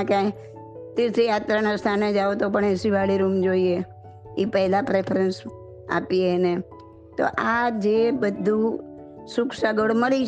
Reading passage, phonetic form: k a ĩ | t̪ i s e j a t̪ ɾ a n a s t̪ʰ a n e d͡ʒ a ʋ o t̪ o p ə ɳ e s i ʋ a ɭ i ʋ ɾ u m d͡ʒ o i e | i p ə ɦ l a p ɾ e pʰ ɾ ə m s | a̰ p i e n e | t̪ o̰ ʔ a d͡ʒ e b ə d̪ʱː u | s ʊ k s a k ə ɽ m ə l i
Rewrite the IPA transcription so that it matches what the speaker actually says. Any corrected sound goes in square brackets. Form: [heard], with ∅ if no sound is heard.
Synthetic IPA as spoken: k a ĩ | t̪ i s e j a t̪ ɾ a n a s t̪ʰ a n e d͡ʒ a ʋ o t̪ o p ə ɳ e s i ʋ a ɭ i [∅] ɾ u m d͡ʒ o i e | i p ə ɦ l a p ɾ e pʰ ɾ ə [n] s | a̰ p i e n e | t̪ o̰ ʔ a d͡ʒ e b ə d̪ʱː u | s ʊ k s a [ɡ] ə ɽ m ə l i